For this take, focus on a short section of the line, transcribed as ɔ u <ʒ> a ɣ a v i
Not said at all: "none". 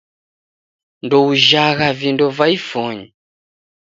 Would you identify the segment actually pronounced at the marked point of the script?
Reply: ʒ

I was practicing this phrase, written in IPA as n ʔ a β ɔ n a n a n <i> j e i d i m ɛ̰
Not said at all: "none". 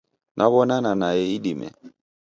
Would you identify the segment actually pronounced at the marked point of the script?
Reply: a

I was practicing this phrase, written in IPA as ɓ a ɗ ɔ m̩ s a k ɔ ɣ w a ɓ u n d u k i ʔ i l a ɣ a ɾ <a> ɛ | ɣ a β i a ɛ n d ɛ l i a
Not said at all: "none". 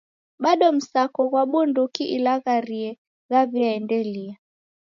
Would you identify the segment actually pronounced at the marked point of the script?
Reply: i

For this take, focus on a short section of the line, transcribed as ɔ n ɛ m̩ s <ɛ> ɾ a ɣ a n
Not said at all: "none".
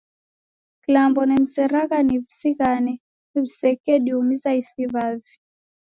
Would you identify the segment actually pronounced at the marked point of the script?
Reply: ɛ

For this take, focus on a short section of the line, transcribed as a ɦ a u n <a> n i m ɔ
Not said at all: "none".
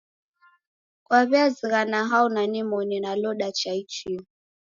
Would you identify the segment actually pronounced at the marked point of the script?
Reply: a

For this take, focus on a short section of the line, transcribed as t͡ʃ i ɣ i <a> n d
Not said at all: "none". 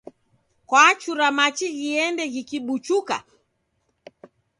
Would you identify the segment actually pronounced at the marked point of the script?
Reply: ɛ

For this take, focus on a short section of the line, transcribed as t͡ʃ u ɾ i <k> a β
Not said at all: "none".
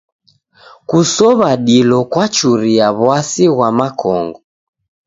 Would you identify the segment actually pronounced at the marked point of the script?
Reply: none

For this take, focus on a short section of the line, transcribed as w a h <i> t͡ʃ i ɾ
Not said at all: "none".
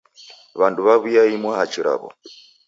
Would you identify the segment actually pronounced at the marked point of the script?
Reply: a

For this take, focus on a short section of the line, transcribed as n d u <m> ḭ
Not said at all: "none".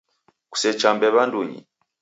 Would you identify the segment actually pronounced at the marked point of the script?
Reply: ɲ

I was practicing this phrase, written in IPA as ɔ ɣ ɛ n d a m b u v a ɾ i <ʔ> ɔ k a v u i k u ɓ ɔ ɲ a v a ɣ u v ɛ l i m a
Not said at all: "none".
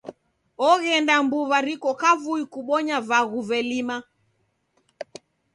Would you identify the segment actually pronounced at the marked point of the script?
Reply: k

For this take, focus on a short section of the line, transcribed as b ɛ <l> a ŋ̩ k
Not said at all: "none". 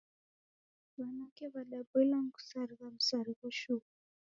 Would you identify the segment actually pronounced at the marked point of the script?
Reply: l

